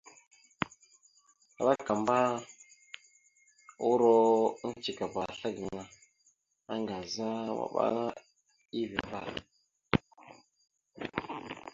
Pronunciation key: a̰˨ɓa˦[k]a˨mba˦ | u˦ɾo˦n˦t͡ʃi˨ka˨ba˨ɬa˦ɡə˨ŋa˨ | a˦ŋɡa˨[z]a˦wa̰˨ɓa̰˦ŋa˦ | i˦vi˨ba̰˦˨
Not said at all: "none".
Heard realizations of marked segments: k, z

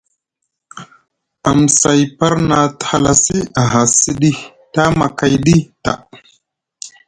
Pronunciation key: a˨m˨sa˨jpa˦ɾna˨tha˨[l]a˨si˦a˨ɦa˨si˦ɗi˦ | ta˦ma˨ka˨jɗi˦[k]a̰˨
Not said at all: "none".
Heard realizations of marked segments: l, t

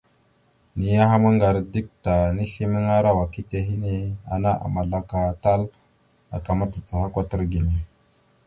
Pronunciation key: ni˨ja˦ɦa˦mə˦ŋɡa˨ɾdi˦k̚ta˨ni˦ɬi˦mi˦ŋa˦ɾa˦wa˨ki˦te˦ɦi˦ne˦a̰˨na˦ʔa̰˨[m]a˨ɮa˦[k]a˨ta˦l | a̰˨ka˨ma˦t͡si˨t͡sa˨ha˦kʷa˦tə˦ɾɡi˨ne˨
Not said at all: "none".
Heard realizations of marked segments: m, k

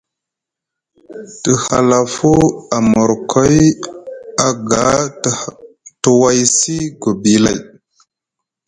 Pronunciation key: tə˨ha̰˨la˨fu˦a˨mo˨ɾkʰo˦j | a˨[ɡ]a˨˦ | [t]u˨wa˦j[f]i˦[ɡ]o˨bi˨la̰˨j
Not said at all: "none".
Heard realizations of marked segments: ɡ, t, s, ɡ

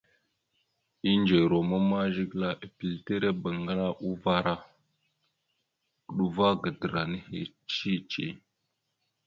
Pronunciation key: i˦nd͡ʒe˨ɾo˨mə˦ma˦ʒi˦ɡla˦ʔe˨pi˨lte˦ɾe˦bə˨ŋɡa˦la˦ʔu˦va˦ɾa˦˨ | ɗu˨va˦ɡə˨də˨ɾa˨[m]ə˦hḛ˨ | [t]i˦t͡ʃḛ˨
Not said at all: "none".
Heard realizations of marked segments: n, t͡ʃ

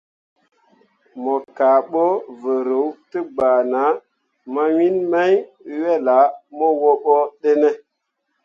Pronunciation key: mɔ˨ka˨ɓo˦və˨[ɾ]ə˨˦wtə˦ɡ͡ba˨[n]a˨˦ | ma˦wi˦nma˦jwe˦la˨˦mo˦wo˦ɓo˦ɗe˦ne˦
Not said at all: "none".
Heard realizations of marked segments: ɾ, n

